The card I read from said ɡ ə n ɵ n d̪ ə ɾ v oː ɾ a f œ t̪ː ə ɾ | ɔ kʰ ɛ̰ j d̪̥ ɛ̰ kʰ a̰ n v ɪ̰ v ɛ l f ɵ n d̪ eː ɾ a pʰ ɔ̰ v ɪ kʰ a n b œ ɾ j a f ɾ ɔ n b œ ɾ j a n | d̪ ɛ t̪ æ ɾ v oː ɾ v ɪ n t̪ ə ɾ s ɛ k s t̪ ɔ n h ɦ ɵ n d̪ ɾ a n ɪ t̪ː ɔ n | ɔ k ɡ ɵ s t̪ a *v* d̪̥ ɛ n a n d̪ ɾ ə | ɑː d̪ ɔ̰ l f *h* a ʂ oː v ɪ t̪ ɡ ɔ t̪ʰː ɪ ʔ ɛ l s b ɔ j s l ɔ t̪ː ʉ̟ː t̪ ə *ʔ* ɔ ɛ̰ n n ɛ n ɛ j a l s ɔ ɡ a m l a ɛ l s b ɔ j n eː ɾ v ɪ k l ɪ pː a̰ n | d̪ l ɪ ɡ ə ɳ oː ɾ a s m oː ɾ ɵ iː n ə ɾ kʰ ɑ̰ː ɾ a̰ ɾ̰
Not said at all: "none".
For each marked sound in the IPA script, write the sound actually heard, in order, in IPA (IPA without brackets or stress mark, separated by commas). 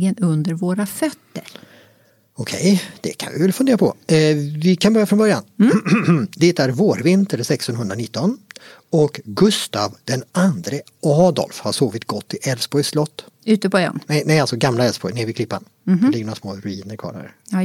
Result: v, h, p